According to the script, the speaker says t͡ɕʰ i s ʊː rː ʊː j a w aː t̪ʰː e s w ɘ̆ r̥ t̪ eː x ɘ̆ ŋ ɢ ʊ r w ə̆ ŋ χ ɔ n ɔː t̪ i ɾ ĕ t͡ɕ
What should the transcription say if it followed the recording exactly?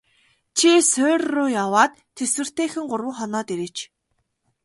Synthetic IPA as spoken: t͡ɕʰ i s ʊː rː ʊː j a w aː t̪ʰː e s w ɘ̆ r̥ t̪ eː x ɘ̆ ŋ ɢ ʊ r w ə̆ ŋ χ ɔ n ɔː t̪ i ɾ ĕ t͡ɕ